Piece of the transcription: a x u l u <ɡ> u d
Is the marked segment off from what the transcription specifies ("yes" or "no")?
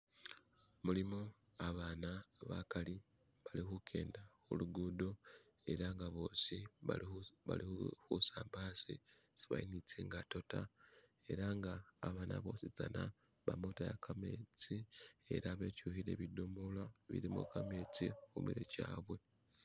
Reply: no